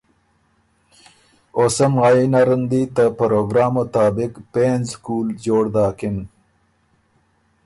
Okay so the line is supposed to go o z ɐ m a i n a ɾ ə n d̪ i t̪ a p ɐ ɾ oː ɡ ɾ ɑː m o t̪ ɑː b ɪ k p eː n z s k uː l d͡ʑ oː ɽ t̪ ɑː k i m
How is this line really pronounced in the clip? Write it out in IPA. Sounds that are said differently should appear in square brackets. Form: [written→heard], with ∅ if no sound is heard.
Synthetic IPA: o [z→s] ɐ m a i n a ɾ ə n d̪ i t̪ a p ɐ ɾ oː ɡ ɾ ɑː m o t̪ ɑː b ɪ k p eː n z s k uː l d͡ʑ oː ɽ [t̪→d̪] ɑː k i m